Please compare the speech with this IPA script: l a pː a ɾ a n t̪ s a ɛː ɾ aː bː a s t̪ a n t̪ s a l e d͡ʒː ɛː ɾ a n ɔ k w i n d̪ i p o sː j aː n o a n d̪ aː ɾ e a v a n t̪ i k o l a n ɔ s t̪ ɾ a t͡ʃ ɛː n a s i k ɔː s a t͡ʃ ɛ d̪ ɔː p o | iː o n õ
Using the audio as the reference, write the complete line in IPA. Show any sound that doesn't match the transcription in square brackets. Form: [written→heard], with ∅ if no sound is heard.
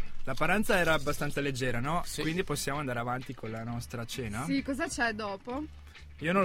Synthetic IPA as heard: l a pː a ɾ a n t̪ s a ɛː ɾ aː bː a s t̪ a n t̪ s a l e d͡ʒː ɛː ɾ a n ɔ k w i n d̪ i p o sː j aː [n→m] o a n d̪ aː ɾ e a v a n t̪ i k o l a n ɔ s t̪ ɾ a t͡ʃ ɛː n a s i k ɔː [s→z] a t͡ʃ ɛ d̪ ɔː p o | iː o n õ